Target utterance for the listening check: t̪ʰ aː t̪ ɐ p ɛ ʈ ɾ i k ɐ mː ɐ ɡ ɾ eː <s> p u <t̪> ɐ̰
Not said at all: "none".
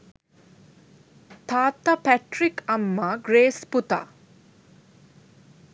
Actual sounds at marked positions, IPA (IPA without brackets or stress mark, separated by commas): s, t̪